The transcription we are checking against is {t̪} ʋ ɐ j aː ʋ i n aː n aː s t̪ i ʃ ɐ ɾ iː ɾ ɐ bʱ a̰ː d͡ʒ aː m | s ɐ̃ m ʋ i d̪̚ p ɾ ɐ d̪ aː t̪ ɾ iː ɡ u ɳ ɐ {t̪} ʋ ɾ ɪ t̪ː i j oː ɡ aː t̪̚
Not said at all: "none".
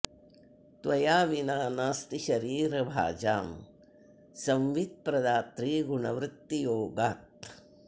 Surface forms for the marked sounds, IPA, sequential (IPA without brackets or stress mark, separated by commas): t̪, none